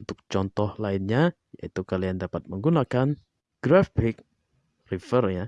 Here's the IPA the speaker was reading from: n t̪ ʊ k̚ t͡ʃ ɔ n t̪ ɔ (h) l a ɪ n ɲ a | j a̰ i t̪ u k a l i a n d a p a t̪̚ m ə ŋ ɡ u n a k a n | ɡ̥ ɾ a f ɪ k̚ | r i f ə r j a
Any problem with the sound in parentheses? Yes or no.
no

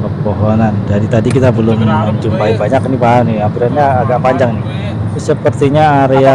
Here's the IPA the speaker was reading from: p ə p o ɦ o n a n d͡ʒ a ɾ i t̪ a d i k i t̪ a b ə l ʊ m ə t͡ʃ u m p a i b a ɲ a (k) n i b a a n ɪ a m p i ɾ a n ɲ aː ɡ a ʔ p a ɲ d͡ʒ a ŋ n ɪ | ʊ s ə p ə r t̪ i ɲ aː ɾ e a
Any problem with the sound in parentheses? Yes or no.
no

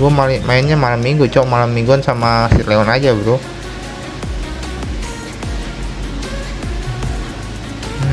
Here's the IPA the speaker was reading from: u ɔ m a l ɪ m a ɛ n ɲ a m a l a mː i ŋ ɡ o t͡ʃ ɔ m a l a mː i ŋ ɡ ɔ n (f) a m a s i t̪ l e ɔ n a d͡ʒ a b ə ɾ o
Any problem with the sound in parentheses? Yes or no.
yes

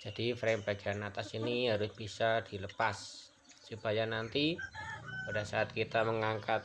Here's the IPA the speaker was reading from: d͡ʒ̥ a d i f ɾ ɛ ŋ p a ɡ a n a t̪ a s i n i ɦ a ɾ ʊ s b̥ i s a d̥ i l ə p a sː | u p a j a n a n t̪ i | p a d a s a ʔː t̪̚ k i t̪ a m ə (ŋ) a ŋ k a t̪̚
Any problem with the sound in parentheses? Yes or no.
no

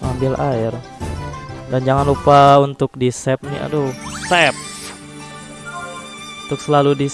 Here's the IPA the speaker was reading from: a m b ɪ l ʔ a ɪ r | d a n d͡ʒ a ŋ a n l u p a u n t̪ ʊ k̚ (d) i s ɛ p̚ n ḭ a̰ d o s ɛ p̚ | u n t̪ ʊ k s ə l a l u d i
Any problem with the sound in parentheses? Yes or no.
no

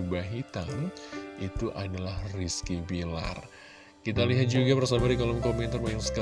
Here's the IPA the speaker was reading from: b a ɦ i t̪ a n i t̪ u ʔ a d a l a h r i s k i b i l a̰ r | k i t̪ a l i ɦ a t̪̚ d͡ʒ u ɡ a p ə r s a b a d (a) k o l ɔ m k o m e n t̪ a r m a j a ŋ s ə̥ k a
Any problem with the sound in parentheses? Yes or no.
yes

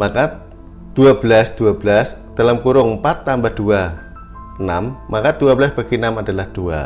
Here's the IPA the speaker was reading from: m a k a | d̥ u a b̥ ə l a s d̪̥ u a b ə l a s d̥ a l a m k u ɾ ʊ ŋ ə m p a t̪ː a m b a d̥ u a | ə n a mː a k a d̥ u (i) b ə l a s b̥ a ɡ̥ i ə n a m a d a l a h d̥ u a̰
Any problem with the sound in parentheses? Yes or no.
yes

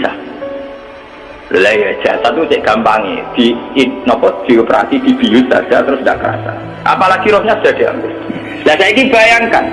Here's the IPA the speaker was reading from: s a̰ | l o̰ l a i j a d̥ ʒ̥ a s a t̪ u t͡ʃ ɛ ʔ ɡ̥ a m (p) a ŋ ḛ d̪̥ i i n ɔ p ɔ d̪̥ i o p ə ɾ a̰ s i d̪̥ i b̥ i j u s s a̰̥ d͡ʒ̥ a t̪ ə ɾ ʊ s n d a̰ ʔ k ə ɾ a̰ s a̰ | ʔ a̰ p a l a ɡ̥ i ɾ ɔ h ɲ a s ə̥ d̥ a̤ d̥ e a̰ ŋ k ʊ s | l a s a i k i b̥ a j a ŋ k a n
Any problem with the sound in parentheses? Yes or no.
no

